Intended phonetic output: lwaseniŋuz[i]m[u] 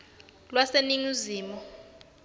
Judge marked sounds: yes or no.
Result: no, no

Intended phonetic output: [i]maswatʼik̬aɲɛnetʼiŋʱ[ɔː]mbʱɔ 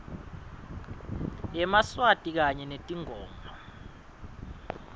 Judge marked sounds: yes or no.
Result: no, yes

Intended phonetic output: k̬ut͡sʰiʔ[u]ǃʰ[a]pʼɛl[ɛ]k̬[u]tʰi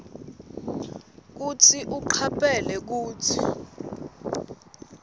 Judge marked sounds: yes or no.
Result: yes, yes, yes, no

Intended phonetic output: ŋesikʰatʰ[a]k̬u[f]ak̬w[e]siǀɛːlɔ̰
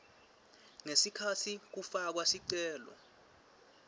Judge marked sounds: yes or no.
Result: no, yes, no

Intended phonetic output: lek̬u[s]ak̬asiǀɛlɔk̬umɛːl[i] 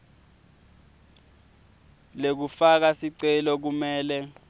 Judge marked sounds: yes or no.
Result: no, no

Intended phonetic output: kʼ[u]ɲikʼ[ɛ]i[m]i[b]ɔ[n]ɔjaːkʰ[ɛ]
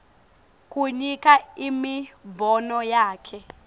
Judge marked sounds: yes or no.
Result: yes, no, yes, yes, yes, yes

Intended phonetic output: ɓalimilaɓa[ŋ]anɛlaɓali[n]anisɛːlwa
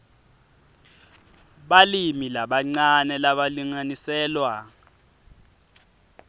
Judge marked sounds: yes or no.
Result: no, no

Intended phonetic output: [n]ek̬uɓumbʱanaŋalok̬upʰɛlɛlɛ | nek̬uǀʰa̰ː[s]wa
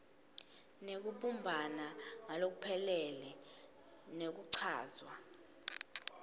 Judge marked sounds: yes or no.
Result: yes, no

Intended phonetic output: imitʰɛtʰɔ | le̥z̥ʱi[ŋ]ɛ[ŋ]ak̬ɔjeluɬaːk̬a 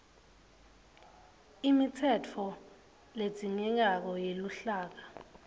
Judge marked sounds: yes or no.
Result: yes, yes

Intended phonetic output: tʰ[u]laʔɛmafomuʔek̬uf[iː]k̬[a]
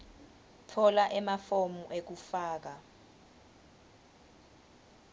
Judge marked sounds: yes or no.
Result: no, no, yes

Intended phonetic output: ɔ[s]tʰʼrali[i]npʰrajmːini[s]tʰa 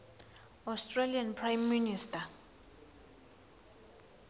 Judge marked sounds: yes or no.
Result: yes, no, yes

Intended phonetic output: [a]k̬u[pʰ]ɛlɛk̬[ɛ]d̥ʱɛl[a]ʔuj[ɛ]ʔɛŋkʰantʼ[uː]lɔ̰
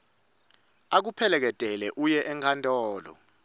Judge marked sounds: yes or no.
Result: yes, yes, yes, no, yes, no

